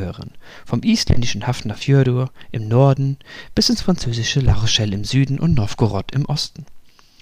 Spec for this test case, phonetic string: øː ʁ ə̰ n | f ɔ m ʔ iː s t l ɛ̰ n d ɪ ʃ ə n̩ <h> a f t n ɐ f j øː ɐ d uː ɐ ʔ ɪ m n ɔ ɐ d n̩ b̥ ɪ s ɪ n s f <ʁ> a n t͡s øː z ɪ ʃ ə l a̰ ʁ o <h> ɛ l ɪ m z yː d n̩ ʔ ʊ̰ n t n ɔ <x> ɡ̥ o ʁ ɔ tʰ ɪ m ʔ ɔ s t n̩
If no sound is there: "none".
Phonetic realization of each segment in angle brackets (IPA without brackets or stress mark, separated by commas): h, ʁ, ʃ, f